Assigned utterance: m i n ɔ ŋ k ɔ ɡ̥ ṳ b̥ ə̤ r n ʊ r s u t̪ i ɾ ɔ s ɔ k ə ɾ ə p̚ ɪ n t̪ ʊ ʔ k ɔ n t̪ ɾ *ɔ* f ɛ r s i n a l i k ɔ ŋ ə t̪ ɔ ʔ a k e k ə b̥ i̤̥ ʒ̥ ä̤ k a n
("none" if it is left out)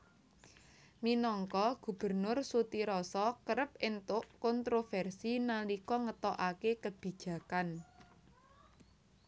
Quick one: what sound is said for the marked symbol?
o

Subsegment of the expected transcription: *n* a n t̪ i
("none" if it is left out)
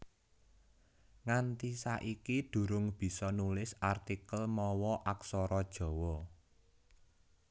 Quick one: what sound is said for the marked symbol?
ŋ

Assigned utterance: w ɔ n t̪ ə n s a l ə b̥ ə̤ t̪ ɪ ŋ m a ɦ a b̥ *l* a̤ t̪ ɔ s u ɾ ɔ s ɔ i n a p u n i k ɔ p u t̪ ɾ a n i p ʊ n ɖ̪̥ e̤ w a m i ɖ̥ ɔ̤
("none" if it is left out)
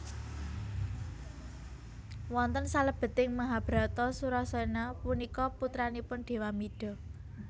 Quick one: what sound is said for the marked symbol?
ɾ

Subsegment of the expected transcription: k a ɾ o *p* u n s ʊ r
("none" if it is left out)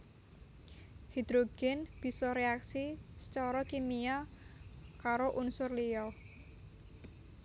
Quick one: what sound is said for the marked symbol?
ʔ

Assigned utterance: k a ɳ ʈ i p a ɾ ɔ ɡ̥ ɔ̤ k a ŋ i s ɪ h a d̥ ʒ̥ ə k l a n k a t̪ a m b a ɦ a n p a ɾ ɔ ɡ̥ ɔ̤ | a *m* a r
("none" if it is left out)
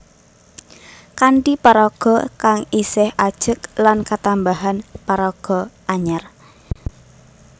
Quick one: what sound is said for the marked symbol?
ɲ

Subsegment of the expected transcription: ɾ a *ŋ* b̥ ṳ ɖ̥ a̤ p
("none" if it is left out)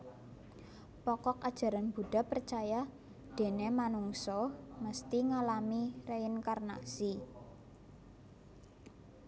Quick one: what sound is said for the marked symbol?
n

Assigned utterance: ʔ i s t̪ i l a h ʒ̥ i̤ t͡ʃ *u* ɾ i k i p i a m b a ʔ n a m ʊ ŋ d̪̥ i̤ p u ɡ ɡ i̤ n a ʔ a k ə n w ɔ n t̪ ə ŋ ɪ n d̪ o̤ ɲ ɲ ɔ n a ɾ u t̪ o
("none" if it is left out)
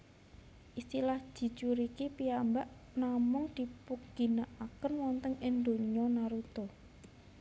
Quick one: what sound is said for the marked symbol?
u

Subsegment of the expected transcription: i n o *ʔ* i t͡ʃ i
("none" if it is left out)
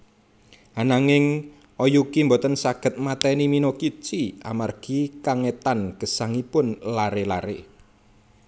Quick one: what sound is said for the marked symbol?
k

